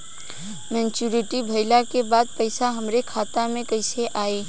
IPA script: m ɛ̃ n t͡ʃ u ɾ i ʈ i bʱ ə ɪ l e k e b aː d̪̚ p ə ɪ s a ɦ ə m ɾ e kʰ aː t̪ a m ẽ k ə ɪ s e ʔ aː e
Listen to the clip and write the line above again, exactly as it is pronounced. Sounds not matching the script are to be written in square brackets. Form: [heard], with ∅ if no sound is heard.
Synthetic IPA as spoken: m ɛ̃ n t͡ʃ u ɾ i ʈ i bʱ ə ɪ l [a] k e b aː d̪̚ p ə ɪ s a ɦ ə m ɾ e kʰ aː t̪ a m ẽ k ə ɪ s e ʔ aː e

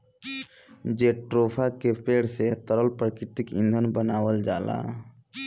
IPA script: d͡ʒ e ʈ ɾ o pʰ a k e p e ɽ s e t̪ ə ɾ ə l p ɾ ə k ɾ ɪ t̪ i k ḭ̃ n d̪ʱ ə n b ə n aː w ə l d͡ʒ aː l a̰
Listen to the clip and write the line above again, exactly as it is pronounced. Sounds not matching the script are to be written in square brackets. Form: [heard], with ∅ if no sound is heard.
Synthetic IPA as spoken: d͡ʒ e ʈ ɾ o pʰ a k e p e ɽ s e t̪ ə ɾ ə l p ɾ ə k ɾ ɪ t̪ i k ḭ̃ n d̪ʱ ə n b ə n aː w ə l d͡ʒ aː l a̰

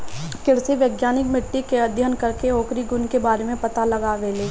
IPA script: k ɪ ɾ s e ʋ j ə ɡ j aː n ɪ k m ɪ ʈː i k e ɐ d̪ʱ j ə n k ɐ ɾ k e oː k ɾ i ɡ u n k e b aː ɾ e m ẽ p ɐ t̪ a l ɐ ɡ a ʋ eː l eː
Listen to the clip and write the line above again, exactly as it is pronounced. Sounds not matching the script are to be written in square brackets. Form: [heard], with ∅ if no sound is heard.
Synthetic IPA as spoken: k ɪ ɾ s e ʋ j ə ɡ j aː n ɪ k m ɪ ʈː i k e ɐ d̪ʱ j ə n k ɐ ɾ k e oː k ɾ i ɡ [ʊ] n k e b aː ɾ e m ẽ p ɐ t̪ a l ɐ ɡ a ʋ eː l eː

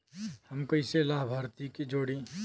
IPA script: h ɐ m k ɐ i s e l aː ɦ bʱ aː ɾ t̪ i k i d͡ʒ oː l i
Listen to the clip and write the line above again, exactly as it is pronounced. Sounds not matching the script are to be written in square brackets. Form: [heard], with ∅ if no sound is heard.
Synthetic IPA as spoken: h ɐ m k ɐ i s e l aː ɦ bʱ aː ɾ t̪ i k i d͡ʒ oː [ɽ] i

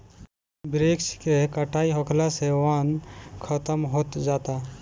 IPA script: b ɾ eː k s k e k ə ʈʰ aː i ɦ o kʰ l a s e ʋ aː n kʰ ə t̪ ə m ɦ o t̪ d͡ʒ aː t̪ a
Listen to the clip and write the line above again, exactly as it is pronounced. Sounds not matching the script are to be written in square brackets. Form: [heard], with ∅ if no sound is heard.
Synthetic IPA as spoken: b ɾ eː k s k e k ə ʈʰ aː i ɦ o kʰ l a s e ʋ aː n kʰ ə t̪ ə m ɦ o t̪ d͡ʒ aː t̪ a

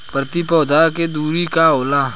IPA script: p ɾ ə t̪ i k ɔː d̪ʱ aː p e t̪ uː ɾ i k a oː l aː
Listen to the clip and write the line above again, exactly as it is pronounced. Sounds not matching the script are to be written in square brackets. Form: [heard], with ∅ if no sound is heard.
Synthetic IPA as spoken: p ɾ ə t̪ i [p] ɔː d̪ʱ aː [k] e [d̪] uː ɾ i k a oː l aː

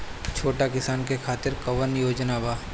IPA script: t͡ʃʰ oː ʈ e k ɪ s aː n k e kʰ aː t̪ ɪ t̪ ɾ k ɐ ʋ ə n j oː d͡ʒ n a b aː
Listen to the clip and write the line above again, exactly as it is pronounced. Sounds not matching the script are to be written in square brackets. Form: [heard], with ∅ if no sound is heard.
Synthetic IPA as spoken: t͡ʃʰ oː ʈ [a] k ɪ s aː n k e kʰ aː t̪ ɪ [∅] ɾ k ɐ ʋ ə n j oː d͡ʒ n a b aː

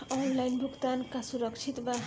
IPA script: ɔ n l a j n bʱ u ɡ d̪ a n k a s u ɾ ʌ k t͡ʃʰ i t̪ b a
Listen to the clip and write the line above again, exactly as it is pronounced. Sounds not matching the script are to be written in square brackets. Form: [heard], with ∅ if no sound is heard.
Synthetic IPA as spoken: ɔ n l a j n bʱ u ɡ [t̪] a n k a s u ɾ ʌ k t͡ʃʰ i t̪ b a

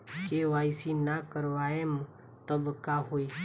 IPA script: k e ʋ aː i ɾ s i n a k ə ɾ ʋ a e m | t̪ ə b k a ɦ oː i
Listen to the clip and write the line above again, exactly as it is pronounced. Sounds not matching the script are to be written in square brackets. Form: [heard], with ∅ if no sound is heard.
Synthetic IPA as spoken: k e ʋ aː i [∅] s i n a k ə ɾ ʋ a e m | t̪ ə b k a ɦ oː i

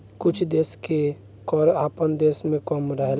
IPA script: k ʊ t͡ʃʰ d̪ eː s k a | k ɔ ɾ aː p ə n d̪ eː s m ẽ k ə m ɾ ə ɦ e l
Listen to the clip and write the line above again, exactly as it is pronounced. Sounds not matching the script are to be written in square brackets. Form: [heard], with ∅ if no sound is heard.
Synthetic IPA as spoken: k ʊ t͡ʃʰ d̪ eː s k [e] | k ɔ ɾ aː p ə n d̪ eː s m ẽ k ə m ɾ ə ɦ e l

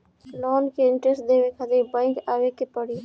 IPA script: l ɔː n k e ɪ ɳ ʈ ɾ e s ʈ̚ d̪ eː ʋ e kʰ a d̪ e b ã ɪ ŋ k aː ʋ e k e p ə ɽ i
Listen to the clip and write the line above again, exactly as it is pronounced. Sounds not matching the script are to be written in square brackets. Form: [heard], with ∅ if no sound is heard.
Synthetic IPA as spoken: l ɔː n k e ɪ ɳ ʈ ɾ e s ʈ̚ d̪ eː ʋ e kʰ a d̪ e b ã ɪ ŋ k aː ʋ e k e p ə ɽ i

